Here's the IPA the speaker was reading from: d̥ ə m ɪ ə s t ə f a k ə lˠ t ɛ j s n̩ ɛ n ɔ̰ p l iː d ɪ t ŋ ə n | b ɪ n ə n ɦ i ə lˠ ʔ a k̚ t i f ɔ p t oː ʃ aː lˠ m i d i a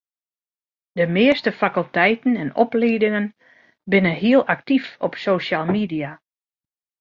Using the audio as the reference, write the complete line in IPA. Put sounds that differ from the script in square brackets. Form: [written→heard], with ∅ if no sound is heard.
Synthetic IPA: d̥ ə m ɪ ə s t ə f a k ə lˠ t ɛ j [s→t] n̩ ɛ n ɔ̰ p l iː d ɪ [t→∅] ŋ ə n | b ɪ n ə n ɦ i ə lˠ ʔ a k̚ t i f ɔ p [t→s] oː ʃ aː lˠ m i d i a